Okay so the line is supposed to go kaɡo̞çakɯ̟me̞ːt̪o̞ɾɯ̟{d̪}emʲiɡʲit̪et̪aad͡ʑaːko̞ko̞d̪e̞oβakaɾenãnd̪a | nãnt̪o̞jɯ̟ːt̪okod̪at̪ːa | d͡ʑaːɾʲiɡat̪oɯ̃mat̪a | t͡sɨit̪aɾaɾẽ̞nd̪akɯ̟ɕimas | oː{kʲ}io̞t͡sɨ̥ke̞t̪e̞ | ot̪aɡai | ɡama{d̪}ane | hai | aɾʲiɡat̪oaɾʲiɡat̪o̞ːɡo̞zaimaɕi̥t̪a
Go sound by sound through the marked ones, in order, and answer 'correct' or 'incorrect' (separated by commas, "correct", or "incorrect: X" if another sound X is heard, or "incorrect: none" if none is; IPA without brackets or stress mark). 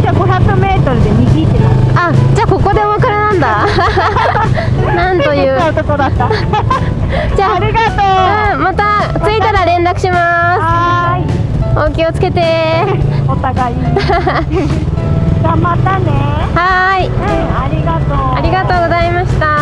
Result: correct, correct, incorrect: t̪